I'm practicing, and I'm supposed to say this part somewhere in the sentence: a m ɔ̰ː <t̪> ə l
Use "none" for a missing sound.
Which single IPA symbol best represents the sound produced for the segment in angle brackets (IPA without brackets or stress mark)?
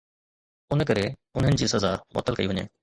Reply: t̪